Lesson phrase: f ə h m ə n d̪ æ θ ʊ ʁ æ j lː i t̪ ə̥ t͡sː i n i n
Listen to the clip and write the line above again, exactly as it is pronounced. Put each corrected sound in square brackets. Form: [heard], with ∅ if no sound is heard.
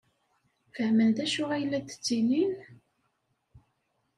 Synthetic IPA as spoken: f ə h m ə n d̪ æ [ʃ] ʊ ʁ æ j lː [æ] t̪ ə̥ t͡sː i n i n